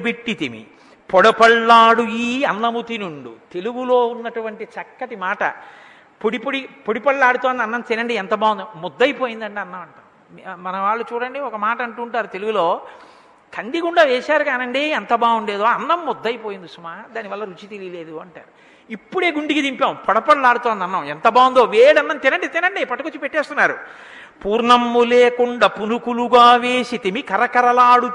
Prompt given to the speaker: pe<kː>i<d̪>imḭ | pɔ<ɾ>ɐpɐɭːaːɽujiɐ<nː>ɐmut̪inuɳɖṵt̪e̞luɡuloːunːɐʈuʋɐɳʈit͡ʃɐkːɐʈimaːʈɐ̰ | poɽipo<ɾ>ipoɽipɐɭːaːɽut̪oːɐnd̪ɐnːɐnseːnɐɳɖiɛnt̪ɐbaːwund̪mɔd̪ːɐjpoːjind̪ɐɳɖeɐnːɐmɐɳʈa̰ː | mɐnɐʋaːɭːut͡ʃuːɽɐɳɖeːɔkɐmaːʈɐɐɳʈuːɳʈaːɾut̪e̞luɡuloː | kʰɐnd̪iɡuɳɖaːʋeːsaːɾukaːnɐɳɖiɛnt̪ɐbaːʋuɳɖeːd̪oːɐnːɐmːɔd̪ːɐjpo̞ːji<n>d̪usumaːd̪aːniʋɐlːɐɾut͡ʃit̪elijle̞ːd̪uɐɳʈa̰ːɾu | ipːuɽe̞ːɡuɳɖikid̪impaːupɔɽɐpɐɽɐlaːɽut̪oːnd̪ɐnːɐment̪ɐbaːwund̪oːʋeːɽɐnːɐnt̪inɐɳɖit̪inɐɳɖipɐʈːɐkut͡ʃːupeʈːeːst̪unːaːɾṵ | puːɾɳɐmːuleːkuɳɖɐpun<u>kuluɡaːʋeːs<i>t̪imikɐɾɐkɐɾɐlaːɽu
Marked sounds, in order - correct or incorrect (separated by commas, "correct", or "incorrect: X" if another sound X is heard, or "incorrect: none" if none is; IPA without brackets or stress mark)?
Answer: incorrect: ʈː, incorrect: t̪, incorrect: ɽ, correct, incorrect: ɽ, correct, correct, correct